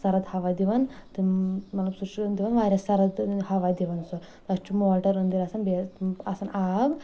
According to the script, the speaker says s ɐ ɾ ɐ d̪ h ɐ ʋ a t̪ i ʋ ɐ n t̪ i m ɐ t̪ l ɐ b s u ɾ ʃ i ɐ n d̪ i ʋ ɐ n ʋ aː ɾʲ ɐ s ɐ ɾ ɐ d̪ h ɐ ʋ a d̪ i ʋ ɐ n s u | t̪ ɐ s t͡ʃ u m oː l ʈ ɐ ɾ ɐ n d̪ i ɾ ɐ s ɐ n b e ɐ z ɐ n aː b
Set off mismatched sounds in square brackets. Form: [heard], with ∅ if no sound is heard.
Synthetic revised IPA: s ɐ ɾ ɐ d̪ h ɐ ʋ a [d̪] i ʋ ɐ n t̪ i m ɐ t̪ l ɐ b s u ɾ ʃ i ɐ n d̪ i ʋ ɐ n ʋ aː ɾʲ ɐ s ɐ ɾ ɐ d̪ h ɐ ʋ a d̪ i ʋ ɐ n s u | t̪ ɐ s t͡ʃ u m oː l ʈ ɐ ɾ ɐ n d̪ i ɾ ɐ s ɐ n b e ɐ [s] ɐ n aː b